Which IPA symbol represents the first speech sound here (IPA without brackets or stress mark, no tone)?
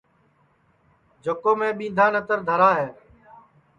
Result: d͡ʒ